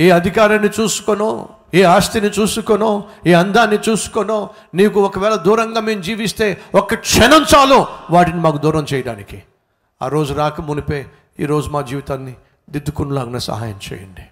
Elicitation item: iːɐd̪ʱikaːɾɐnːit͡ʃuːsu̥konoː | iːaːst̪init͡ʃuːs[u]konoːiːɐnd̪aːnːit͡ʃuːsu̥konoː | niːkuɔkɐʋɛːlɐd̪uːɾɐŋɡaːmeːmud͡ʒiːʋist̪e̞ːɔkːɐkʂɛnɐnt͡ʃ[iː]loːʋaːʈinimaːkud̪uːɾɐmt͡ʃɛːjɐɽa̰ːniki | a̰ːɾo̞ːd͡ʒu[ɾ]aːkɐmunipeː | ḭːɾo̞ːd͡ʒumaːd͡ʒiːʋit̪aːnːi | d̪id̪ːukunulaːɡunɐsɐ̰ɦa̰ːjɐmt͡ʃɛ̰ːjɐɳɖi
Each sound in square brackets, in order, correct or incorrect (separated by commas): correct, incorrect, correct